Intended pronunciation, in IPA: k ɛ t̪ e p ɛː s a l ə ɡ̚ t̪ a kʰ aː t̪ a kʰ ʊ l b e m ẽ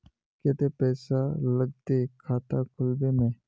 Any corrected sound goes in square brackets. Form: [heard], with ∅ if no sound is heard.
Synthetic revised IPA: k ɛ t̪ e p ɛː s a l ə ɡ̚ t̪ [e] kʰ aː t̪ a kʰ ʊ l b e m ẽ